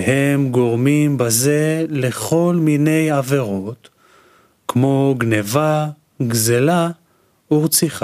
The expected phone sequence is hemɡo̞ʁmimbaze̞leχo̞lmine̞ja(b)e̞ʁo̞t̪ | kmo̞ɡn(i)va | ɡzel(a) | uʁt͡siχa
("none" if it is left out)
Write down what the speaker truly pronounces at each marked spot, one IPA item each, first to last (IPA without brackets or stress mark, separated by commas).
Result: v, e, a